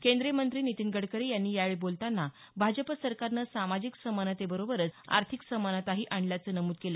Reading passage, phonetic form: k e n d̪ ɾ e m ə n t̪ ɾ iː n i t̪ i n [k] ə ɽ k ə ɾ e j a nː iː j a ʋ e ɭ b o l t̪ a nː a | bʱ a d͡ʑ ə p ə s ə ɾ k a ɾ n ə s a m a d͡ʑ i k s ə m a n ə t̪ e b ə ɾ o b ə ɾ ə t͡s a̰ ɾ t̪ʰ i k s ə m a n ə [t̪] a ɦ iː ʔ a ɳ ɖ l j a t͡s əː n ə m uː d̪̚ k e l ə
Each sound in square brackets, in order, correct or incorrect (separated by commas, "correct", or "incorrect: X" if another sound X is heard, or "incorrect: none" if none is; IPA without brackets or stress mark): incorrect: ɡ, correct